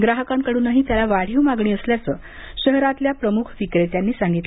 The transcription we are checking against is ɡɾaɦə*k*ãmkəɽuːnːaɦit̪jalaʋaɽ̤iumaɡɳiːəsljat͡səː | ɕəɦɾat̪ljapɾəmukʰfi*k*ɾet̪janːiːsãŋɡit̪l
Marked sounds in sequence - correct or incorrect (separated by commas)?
correct, correct